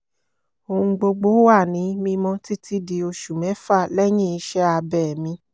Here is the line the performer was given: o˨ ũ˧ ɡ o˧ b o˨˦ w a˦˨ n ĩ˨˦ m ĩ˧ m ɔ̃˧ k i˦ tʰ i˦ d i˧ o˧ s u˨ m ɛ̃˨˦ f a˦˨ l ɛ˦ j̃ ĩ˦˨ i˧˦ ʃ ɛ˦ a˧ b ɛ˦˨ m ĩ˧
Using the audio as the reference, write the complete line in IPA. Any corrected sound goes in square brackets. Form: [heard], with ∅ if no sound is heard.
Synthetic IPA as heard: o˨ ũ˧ [ɡ͡b] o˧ [ɡ͡b] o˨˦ w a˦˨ n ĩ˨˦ m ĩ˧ m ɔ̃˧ [t] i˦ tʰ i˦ d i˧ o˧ [ʃ] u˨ m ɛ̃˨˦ f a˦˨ l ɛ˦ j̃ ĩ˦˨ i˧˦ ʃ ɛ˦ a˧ b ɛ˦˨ m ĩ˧